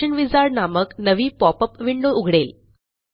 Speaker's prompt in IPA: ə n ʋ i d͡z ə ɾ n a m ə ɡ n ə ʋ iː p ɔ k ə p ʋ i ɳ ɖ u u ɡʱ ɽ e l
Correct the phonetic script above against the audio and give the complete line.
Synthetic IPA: ə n ʋ i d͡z a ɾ n a m ə k n ə ʋ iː p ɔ p ə p ʋ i ɳ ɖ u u ɡʱ ɽ e l

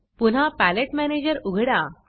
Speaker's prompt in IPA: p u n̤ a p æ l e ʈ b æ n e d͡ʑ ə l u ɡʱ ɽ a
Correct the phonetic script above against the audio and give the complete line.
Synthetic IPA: p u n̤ a p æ l e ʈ m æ n e d͡ʑ ə ɾ u ɡʱ ɽ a

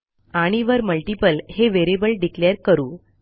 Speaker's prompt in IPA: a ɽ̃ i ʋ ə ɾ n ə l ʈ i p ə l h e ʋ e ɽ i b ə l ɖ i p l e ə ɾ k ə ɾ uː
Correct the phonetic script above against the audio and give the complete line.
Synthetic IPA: a ɽ̃ i ʋ ə ɾ m ə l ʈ i p ə l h e ʋ e ɾ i b ə l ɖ i k l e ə ɾ k ə ɾ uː

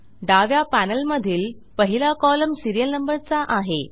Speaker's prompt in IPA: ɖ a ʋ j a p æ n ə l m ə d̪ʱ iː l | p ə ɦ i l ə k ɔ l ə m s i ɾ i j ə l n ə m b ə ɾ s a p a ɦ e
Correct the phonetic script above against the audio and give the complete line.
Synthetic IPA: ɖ a ʋ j a p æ n ə l m ə d̪ʱ iː l | p ə ɦ i l a k ɔ l ə m s i ɾ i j ə l n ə m b ə ɾ t͡s a ʔ a ɦ e

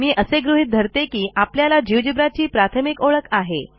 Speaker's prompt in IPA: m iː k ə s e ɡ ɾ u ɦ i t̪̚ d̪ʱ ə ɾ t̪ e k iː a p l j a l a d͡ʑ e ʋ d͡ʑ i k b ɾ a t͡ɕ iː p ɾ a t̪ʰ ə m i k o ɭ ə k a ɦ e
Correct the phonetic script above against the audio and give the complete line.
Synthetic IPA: m iː ʔ ə s e ɡ ɾ u ɦ i t̪̚ d̪ʱ ə ɾ t̪ e k iː a p l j a l a d͡ʑ i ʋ d͡ʑ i b ɾ a t͡ɕ iː p ɾ a t̪ʰ ə m i k o ɭ ə k a ɦ e

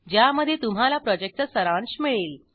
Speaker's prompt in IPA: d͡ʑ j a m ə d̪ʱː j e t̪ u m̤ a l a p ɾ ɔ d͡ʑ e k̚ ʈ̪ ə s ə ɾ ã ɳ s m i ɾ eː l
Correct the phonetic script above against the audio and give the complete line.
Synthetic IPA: d͡ʑ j a m ə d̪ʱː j e t̪ u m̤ a l a p ɾ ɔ d͡ʑ e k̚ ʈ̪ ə s ə ɾ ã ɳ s m i ɭ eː l

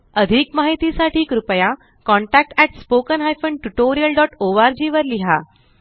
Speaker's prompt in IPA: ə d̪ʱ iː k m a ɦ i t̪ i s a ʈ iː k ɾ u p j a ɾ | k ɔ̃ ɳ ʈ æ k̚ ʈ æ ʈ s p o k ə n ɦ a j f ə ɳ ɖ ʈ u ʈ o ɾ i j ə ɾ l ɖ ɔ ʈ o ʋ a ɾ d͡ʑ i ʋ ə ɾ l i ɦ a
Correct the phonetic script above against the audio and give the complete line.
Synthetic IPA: ə d̪ʱ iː k m a ɦ i t̪ i s a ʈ iː k ɾ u p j a | k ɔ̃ ɳ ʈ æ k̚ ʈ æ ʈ s p o k ə n ɦ a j f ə ɳ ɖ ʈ u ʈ o ɾ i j ə l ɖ ɔ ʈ o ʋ a ɾ d͡ʑ i ʋ ə ɾ l i ɦ a

